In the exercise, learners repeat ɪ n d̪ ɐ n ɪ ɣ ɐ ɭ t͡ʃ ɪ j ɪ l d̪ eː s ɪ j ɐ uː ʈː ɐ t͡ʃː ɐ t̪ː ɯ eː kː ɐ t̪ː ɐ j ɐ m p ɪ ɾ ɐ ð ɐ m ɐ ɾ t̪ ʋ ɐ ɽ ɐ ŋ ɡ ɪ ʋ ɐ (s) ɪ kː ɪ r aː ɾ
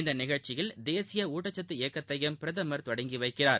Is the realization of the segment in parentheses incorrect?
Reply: yes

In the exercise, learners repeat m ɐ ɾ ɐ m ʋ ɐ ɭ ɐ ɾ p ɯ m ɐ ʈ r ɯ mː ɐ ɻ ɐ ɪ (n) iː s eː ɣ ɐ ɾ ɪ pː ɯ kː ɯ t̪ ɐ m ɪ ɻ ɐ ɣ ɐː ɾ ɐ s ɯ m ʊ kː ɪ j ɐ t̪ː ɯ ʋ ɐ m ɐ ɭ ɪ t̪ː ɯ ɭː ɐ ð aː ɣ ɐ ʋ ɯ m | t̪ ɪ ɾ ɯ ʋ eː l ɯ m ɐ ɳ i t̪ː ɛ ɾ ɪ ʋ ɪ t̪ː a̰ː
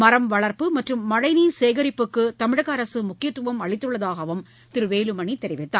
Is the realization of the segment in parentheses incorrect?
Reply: no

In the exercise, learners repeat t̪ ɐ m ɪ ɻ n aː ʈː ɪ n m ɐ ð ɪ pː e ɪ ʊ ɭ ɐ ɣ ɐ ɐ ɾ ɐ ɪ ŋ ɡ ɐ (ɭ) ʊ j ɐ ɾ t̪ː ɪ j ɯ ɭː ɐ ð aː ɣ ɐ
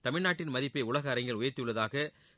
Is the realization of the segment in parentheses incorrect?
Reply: no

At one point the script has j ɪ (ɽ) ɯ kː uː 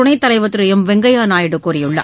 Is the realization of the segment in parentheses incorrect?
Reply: no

